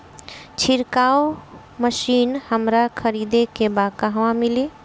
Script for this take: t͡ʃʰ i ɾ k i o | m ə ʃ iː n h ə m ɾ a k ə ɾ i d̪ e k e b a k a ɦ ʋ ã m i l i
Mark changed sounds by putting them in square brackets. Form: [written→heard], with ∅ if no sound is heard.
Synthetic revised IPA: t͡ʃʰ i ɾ k [i→a] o | m ə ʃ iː n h ə m ɾ a [k→kʰ] ə ɾ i d̪ e k e b a k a ɦ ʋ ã m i l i